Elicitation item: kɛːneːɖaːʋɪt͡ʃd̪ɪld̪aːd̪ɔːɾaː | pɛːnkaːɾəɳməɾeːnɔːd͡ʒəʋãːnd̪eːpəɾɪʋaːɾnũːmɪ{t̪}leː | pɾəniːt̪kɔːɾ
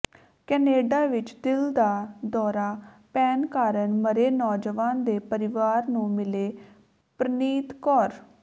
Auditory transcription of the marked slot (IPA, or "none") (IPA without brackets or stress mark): none